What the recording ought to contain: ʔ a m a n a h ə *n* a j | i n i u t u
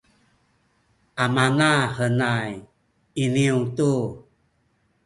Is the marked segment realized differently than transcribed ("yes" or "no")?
no